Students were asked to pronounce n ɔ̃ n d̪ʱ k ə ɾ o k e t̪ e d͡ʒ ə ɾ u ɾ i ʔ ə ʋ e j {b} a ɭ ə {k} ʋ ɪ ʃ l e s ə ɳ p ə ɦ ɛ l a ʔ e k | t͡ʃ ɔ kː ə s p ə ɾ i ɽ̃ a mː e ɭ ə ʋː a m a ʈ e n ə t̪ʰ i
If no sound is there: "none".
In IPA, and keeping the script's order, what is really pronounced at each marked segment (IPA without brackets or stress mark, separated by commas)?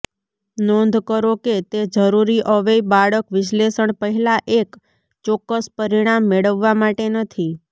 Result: b, k